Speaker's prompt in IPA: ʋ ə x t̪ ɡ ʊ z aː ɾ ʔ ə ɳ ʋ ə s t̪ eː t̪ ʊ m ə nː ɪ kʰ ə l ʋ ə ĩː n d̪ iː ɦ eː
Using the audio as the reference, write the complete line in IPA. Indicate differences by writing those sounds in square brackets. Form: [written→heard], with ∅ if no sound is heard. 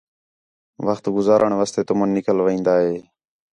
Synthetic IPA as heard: ʋ ə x t̪ ɡ ʊ z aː ɾ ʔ ə ɳ ʋ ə s t̪ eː t̪ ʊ m ə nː ɪ [kʰ→k] ə l ʋ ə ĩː n d̪ [iː→aː] ɦ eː